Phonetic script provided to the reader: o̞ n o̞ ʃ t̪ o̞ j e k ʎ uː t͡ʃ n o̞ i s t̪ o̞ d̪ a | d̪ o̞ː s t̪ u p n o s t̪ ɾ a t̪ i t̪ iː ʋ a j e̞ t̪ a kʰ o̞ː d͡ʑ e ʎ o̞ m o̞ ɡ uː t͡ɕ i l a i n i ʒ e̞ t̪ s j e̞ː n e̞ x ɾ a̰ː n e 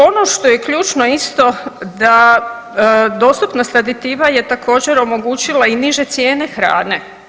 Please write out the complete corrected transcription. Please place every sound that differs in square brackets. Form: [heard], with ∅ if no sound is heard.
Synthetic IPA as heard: o̞ n o̞ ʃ t̪ o̞ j e k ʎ uː t͡ʃ n o̞ i s t̪ o̞ d̪ a | d̪ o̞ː s t̪ u p n o s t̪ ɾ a [d̪] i t̪ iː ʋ a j e̞ t̪ a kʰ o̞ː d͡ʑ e [ɾ] o̞ m o̞ ɡ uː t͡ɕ i l a i n i ʒ e̞ t̪ s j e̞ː n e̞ x ɾ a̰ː n e